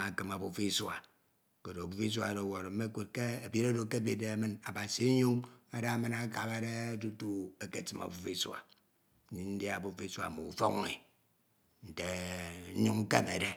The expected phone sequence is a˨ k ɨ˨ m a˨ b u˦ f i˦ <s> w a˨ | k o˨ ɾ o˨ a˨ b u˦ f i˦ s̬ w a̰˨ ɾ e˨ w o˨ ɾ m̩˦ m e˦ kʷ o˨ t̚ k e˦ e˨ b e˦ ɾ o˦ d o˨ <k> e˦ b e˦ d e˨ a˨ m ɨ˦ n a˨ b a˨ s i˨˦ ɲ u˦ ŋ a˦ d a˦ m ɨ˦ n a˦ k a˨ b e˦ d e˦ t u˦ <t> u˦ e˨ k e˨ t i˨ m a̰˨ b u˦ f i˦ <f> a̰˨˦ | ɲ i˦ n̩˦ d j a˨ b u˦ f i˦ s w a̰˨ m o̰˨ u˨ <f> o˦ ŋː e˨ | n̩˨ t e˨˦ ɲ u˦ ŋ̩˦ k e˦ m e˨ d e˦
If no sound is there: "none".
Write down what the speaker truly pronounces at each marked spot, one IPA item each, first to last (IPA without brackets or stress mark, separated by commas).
s, k, t, s, f